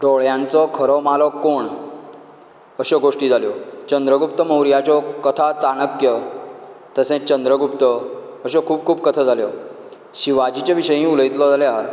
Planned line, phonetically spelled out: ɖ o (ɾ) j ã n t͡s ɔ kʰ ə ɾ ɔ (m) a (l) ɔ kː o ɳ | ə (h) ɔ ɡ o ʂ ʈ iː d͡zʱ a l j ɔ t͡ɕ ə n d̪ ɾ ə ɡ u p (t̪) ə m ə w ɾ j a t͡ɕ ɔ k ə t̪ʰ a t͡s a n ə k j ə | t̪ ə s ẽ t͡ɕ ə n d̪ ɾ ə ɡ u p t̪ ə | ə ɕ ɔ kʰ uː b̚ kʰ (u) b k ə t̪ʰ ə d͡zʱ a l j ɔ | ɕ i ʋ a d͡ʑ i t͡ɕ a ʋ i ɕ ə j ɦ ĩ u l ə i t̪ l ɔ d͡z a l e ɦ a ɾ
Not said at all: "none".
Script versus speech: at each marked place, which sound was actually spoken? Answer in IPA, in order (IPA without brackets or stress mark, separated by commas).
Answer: ɭ, m, l, ɕ, t̪, uː